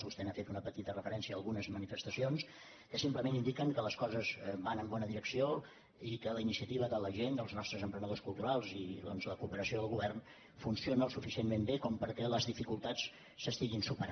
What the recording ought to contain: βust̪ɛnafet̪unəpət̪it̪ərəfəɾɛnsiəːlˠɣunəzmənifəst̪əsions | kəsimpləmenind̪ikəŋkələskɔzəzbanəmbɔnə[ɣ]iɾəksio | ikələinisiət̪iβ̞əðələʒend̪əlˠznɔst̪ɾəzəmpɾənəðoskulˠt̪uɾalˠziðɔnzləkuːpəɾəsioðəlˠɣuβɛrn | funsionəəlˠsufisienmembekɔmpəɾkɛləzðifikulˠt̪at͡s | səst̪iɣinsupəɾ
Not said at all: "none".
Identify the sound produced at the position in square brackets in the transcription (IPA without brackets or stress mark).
ð